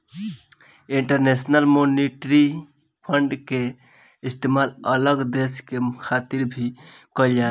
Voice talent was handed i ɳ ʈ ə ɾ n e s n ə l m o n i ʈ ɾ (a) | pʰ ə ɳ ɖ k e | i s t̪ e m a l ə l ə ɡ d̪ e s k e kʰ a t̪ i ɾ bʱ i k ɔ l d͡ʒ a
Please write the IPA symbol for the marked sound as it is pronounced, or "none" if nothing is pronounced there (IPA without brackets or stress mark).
i